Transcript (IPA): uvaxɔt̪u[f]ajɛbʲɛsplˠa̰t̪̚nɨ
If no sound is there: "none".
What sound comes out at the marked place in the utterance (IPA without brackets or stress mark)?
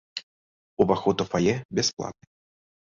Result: f